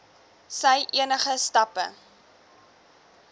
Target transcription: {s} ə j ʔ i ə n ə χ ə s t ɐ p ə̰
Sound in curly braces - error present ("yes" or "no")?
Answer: no